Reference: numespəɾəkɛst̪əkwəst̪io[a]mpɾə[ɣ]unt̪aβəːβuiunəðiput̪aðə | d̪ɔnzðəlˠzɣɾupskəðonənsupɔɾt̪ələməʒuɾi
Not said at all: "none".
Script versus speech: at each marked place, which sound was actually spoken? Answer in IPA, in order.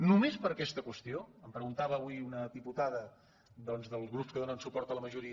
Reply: ə, ɣ

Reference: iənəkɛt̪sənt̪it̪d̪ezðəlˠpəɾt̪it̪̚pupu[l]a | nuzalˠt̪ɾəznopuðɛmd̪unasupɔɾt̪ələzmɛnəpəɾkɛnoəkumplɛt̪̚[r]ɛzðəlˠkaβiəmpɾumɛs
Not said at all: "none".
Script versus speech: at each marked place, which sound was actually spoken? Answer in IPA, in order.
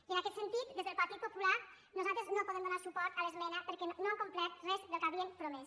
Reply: l, r

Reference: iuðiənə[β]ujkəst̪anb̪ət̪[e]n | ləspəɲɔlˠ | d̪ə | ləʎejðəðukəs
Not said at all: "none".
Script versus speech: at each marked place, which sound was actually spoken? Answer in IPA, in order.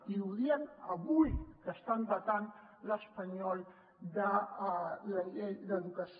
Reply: β, a

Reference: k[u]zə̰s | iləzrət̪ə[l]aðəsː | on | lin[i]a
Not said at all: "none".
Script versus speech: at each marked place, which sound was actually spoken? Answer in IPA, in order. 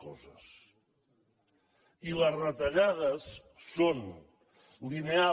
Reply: ɔ, ʎ, e

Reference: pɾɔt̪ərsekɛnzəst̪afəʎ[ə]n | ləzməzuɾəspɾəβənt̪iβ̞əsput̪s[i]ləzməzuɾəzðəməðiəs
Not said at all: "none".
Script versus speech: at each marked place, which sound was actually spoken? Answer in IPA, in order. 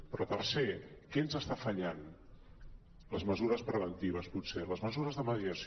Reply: a, e

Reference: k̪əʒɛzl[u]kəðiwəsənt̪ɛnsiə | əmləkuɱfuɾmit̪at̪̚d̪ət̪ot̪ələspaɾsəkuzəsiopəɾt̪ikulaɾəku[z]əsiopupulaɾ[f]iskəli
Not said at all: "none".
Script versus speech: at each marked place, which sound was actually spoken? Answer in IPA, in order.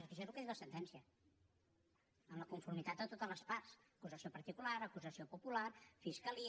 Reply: u, z, f

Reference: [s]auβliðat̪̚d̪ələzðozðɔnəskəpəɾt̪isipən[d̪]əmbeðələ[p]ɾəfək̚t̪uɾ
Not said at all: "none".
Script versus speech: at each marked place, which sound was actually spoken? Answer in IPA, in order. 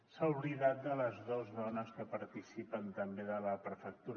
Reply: s, t̪, p

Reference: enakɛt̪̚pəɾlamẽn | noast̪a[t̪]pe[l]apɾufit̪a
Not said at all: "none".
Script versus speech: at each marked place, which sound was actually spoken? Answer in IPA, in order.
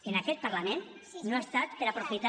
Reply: t̪, ɾ

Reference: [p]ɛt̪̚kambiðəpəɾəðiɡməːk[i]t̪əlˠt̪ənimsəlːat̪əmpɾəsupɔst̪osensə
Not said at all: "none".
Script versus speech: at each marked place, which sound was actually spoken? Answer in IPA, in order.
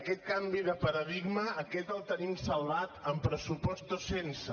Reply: k, ɛ

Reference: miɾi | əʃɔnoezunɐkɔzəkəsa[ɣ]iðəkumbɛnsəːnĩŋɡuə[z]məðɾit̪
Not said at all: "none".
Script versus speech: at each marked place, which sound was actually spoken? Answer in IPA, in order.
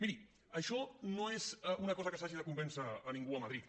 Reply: ʒ, none

